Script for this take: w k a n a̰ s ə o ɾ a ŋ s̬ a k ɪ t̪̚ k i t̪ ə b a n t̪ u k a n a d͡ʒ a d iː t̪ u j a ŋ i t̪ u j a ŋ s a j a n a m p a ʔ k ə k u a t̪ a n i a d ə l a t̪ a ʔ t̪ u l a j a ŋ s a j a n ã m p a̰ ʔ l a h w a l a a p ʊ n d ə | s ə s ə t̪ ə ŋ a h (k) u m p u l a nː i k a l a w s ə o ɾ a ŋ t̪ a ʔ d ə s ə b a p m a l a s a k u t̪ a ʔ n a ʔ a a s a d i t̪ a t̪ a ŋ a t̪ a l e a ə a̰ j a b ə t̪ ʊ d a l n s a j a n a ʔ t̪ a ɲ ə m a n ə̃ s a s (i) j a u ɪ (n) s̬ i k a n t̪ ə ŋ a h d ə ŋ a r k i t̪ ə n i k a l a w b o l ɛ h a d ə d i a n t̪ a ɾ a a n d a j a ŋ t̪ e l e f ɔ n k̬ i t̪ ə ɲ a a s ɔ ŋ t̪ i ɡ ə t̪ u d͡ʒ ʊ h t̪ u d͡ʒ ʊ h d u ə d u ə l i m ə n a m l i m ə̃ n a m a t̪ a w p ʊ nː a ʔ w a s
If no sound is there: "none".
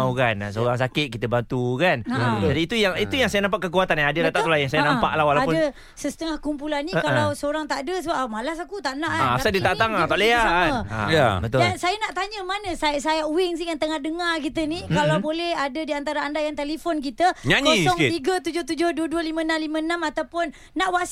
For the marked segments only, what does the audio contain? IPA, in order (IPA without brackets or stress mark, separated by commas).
k, a, ŋ